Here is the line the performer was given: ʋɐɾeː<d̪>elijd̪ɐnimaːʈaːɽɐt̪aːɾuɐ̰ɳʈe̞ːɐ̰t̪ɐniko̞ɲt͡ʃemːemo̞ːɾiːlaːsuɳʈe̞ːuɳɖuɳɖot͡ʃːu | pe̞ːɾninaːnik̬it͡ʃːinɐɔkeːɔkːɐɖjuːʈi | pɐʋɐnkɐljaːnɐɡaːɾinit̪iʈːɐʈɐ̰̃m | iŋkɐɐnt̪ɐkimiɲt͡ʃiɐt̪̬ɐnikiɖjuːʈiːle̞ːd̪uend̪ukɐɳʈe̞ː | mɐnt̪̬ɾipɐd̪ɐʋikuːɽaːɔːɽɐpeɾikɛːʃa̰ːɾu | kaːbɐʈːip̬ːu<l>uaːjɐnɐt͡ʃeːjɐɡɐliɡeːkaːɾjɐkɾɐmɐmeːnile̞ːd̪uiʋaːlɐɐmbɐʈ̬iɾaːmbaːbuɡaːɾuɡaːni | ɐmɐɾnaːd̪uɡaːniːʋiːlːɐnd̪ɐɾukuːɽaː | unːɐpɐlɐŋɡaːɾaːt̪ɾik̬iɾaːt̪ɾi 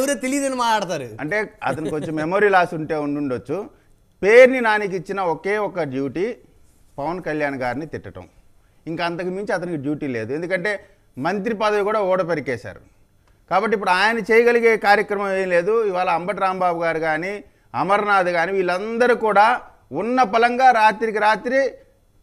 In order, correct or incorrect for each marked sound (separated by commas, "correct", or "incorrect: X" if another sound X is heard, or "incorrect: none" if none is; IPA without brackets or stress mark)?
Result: incorrect: t̪, incorrect: ɽ